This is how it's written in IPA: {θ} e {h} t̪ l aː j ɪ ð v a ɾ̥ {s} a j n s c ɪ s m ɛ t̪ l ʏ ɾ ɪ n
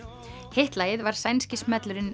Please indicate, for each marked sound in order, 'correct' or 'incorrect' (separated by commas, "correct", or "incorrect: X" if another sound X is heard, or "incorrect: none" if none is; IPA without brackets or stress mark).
incorrect: h, correct, correct